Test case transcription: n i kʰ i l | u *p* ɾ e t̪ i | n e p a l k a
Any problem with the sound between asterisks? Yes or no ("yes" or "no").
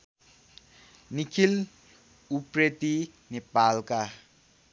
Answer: no